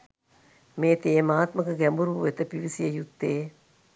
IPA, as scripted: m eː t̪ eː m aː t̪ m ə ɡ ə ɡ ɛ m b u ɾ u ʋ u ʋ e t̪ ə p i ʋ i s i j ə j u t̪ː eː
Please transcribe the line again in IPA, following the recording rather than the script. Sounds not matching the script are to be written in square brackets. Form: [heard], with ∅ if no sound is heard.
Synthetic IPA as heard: m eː t̪ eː m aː t̪ m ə [k] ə ɡ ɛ m b u ɾ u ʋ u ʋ e t̪ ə p i ʋ i s i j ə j u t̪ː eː